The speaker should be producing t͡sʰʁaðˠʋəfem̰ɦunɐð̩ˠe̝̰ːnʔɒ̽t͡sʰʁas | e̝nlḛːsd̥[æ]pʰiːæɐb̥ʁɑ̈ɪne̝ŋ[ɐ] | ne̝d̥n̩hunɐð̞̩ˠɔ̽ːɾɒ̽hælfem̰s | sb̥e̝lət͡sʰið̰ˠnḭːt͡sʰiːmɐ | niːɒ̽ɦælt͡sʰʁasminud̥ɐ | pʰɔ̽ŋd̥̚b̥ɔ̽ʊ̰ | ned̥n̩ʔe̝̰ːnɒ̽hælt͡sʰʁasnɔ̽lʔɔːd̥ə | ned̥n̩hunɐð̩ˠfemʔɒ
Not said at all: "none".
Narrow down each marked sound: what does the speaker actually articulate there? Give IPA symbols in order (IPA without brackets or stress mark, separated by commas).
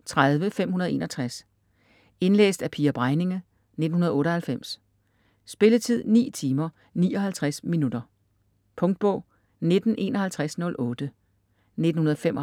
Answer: æ, ə